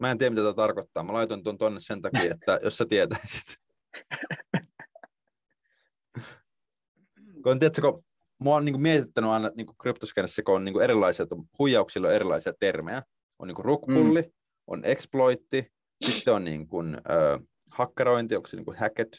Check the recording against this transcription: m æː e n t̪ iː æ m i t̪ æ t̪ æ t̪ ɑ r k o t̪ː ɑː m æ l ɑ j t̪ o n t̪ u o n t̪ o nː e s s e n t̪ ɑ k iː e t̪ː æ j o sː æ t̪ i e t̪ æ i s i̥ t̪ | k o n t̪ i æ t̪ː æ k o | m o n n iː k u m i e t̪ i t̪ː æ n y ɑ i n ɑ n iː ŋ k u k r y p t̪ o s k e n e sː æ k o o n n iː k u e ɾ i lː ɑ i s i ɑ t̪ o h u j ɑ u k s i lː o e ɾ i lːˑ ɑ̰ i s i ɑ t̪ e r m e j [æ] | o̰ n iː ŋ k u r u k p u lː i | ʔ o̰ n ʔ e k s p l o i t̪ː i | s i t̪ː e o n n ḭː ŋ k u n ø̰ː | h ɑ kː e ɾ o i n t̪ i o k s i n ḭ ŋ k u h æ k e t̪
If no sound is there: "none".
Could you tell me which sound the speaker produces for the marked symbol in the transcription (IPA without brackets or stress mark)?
æ